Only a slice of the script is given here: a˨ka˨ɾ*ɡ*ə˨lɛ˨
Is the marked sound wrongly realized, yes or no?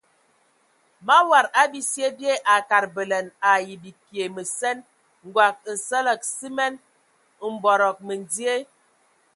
yes